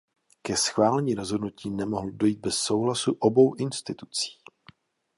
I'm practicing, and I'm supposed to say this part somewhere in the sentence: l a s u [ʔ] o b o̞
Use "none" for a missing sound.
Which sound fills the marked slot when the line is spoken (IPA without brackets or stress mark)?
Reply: ʔ